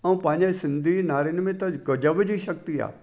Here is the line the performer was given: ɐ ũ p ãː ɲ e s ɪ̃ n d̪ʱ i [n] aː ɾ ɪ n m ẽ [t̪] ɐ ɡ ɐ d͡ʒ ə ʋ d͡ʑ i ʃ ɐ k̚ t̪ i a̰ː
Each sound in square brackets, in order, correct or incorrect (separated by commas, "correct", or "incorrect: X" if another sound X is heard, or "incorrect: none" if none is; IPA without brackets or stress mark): correct, correct